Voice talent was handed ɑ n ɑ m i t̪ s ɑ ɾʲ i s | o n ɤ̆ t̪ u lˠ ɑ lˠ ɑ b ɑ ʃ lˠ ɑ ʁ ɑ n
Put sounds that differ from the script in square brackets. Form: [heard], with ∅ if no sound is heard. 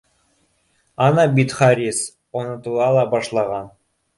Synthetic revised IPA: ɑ n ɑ [b] i t̪ [χ] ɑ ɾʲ i s | o n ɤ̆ t̪ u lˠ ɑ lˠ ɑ b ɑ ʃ lˠ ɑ ʁ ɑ n

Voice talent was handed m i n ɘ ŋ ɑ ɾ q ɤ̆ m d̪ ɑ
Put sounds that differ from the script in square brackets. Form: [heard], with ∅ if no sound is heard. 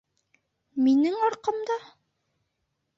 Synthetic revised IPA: m i n ɘ ŋ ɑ ɾ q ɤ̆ m d̪ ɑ

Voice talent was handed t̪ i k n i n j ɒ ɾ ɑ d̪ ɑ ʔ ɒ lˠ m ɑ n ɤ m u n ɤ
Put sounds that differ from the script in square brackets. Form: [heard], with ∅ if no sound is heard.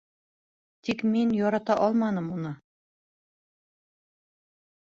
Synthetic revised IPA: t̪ i k [m] i n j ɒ ɾ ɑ [t̪] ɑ ʔ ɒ lˠ m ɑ n ɤ m u n ɤ

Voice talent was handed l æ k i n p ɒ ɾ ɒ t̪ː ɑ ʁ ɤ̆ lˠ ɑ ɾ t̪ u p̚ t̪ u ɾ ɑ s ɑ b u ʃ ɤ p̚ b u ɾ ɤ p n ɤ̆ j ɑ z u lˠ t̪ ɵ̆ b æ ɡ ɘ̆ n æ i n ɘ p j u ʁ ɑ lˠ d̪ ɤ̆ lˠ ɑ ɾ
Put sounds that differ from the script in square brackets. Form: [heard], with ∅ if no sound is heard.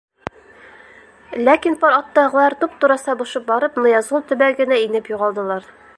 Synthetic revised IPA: l æ k i n p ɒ ɾ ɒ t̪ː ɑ ʁ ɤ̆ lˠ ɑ ɾ t̪ u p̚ t̪ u ɾ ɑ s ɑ b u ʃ ɤ p̚ b [ɒ] ɾ ɤ p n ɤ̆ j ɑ z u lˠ t̪ ɵ̆ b æ ɡ ɘ̆ n æ i n ɘ p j u ʁ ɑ lˠ d̪ ɤ̆ lˠ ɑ ɾ

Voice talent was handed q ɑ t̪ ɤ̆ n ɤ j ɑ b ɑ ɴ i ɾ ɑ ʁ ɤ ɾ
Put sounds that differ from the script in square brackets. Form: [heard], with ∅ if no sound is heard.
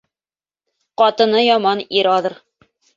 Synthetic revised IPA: q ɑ t̪ ɤ̆ n ɤ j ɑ [m] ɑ [n] i ɾ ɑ [ð] ɤ ɾ

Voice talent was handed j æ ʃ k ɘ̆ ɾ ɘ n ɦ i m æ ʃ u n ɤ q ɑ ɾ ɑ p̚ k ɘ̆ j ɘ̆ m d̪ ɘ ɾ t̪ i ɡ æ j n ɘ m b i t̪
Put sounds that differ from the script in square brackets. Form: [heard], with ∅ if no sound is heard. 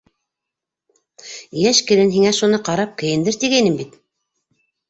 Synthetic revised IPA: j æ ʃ k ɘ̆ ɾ ɘ n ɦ i [ŋ] æ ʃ u n ɤ q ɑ ɾ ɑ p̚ k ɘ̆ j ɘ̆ [n] d̪ ɘ ɾ t̪ i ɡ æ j n ɘ m b i t̪

